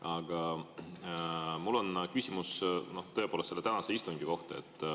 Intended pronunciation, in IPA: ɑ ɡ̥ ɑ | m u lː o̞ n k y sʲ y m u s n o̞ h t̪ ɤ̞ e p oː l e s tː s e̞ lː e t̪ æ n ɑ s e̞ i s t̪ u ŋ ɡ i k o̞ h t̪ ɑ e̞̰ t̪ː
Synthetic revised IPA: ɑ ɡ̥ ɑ | m u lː o̞ n k y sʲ i m u s n o̞ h t̪ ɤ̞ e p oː l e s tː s e̞ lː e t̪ æ n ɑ s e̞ i s t̪ u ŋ ɡ i k o̞ h t̪ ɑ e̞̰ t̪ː